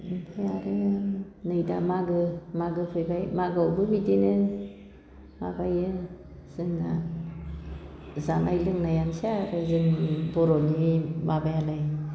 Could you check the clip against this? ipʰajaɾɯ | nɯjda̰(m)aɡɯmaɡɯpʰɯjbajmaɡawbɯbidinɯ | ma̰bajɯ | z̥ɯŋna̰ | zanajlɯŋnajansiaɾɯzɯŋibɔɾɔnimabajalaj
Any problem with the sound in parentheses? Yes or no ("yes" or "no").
no